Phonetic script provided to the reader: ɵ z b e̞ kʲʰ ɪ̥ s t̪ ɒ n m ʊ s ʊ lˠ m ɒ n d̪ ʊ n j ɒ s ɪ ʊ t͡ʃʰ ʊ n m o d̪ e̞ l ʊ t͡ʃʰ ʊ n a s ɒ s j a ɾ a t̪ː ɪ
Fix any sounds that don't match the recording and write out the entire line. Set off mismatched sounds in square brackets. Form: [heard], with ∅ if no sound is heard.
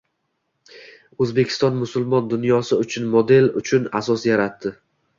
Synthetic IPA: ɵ z b e̞ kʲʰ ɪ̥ s t̪ ɒ n m ʊ s ʊ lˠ m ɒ n d̪ ʊ n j ɒ s ɪ ʊ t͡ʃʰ ʊ n m o d̪ e̞ l ʊ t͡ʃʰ ʊ n a s ɒ s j a ɾ a t̪ː ɪ

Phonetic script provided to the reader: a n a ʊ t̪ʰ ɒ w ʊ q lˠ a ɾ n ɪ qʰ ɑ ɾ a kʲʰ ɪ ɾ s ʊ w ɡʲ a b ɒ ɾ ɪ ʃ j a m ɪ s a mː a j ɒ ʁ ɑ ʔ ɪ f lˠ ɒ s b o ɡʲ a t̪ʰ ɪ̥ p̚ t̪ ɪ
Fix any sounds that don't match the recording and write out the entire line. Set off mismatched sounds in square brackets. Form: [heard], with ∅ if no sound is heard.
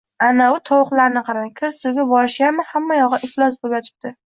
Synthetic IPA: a n a ʊ t̪ʰ ɒ w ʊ q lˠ a ɾ n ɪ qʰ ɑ ɾ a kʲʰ ɪ ɾ s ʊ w ɡʲ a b ɒ ɾ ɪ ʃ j a m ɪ [h] a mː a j ɒ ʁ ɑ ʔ ɪ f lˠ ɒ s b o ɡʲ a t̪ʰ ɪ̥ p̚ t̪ ɪ

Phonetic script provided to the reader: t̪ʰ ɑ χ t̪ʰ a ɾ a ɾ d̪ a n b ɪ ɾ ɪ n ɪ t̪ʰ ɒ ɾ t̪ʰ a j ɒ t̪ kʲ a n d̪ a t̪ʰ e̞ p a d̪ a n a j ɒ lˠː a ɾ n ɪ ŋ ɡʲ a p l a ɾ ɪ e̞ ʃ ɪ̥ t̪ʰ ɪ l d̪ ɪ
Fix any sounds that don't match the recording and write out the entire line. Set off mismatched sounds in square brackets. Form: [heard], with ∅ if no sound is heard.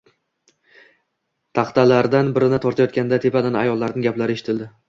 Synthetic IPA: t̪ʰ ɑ χ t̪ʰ a [l] a ɾ d̪ a n b ɪ ɾ ɪ n ɪ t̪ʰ ɒ ɾ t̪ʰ a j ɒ t̪ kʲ a n d̪ a t̪ʰ e̞ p a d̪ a n a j ɒ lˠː a ɾ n ɪ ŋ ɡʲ a p l a ɾ ɪ e̞ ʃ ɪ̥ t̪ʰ ɪ l d̪ ɪ

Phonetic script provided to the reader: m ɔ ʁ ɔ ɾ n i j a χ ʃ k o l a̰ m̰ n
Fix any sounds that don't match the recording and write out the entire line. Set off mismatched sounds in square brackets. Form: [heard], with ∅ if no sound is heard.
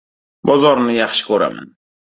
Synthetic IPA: [b] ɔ [z] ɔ ɾ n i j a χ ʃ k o [ɾ] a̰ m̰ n

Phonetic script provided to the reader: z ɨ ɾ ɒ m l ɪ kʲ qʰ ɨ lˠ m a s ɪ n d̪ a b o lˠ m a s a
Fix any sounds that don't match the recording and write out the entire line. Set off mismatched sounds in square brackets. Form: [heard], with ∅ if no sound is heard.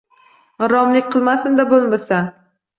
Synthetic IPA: [ʁ] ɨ ɾ ɒ m l ɪ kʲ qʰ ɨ lˠ m a s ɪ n d̪ a b o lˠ m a s a

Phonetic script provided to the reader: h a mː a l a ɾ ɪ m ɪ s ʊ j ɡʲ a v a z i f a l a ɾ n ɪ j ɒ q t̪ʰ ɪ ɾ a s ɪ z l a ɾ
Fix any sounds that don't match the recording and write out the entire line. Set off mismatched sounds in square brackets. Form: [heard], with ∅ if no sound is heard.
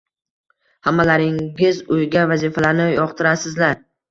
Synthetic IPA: h a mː a l a ɾ ɪ [ŋ] ɪ [z] ʊ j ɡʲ a v a z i f a l a ɾ n ɪ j ɒ q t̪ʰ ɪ ɾ a s ɪ z l a ɾ

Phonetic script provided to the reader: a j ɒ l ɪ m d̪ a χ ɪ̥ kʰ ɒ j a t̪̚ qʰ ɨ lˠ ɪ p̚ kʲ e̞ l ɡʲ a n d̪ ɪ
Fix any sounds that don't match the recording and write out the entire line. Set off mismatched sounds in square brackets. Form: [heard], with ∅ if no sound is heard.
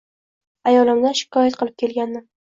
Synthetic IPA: a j ɒ l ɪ m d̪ a [ʃ] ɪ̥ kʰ ɒ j a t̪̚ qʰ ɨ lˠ ɪ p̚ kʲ e̞ l ɡʲ a n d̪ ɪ

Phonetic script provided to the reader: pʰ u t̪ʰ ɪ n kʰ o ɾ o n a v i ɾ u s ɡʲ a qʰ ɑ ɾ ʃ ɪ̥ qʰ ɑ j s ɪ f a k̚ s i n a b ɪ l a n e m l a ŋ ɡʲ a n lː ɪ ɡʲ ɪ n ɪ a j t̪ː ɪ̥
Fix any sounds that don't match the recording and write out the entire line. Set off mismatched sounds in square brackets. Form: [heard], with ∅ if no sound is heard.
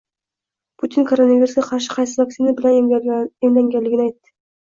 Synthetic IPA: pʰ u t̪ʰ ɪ n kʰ o ɾ o n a v i ɾ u s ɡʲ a qʰ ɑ ɾ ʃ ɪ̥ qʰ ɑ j s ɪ [v] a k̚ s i n a b ɪ l a n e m l a ŋ ɡʲ a n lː ɪ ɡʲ ɪ n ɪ a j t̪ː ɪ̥

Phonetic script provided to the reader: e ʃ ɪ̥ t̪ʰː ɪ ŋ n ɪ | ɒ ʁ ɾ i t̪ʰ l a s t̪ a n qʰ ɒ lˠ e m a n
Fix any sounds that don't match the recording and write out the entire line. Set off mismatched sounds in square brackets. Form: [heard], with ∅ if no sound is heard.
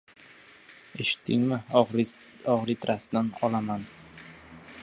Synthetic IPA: e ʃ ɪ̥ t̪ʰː ɪ ŋ [m] ɪ | ɒ ʁ ɾ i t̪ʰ [ɾ] a s [d̪] a n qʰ ɒ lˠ [a] m a n

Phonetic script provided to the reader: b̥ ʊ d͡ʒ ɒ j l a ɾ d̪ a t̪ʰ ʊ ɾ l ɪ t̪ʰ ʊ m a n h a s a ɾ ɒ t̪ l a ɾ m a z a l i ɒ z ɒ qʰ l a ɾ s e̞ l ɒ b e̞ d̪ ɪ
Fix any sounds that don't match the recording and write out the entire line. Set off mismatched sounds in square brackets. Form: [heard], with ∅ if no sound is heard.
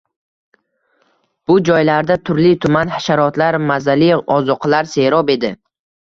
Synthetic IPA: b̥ ʊ d͡ʒ ɒ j l a ɾ d̪ a t̪ʰ ʊ ɾ l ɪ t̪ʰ ʊ m a n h a [ʃ] a ɾ ɒ t̪ l a ɾ m a z a l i ɒ z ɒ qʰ l a ɾ s e̞ [ɾ] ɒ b e̞ d̪ ɪ

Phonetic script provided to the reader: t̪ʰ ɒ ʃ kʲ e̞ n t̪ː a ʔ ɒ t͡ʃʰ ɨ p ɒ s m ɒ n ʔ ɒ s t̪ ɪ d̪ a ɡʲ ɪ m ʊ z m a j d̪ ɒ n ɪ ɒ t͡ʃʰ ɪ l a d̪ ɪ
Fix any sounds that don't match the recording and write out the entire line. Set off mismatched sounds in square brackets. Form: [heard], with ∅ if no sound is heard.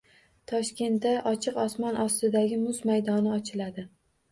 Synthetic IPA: t̪ʰ ɒ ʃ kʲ e̞ n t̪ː a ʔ ɒ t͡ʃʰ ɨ [q] ɒ s m ɒ n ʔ ɒ s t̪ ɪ d̪ a ɡʲ ɪ m ʊ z m a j d̪ ɒ n ɪ ɒ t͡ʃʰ ɪ l a d̪ ɪ

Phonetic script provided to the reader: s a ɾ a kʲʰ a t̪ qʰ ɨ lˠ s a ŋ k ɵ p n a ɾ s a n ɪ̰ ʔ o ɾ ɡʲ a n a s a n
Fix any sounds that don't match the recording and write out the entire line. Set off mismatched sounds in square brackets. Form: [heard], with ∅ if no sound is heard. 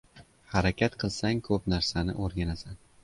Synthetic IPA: [h] a ɾ a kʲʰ a t̪ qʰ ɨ lˠ s a ŋ [kʰ] ɵ p n a ɾ s a n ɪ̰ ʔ o ɾ ɡʲ a n a s a n

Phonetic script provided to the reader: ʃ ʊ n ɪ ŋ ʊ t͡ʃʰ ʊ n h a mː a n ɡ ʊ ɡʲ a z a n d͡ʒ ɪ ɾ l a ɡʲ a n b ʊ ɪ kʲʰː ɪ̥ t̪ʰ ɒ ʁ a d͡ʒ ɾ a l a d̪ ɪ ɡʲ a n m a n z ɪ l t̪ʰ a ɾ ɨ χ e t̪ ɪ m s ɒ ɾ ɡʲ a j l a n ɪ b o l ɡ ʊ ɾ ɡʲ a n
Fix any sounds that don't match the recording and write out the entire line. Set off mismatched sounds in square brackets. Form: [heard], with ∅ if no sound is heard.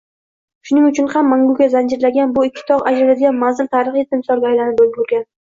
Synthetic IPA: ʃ ʊ n ɪ ŋ ʊ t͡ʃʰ ʊ n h a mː a [ŋ] ɡ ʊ ɡʲ a z a n d͡ʒ ɪ ɾ l a ɡʲ a n b ʊ ɪ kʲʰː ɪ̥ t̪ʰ ɒ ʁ a d͡ʒ ɾ a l a d̪ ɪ ɡʲ a n m a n z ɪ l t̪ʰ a ɾ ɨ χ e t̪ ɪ m s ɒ ɾ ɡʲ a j l a n ɪ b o l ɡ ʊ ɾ ɡʲ a n

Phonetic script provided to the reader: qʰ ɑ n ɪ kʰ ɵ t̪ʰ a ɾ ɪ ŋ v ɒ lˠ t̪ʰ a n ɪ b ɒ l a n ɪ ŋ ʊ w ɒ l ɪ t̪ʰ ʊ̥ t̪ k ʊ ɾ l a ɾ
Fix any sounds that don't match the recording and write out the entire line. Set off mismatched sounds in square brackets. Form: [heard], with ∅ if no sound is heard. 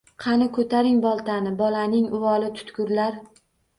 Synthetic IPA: qʰ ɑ n ɪ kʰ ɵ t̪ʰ a ɾ ɪ ŋ [b] ɒ lˠ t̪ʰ a n ɪ b ɒ l a n ɪ ŋ ʊ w ɒ l ɪ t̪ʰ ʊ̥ t̪ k ʊ ɾ l a ɾ

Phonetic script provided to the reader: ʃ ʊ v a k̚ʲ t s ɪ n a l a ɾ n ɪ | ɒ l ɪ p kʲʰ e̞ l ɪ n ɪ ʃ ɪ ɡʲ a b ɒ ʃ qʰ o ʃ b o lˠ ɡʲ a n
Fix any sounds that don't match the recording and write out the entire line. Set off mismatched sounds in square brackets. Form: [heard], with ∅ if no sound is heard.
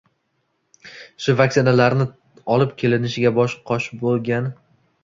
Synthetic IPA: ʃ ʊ v a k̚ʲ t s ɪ n a l a ɾ n ɪ | ɒ l ɪ p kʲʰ e̞ l ɪ n ɪ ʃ ɪ ɡʲ a b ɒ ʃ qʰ [ɒ] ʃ b o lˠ ɡʲ a n

